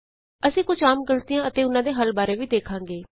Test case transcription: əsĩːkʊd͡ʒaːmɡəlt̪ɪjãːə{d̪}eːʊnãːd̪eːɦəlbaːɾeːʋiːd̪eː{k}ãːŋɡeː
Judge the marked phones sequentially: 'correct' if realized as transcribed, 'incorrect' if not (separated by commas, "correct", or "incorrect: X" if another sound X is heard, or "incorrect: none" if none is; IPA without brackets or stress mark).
incorrect: t̪, incorrect: kʰ